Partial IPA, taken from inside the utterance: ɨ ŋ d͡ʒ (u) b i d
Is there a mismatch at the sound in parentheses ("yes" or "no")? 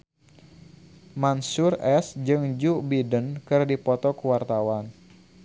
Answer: no